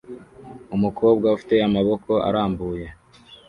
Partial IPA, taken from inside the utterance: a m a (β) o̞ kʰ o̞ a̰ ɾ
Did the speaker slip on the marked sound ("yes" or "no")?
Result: no